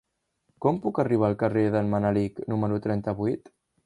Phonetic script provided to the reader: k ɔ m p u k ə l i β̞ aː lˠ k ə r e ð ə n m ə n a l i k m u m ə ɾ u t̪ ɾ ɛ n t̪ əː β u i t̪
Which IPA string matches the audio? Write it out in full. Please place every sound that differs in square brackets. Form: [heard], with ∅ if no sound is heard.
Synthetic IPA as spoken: k ɔ m p u k ə [r] i β̞ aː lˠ k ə r e ð ə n m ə n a l i k [n] u m ə ɾ u t̪ ɾ ɛ n t̪ [ə] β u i t̪